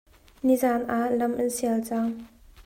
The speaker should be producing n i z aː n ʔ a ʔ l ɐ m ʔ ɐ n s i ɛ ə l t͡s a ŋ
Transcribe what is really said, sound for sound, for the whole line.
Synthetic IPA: n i z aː n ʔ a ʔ l ɐ m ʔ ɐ n s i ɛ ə l t͡s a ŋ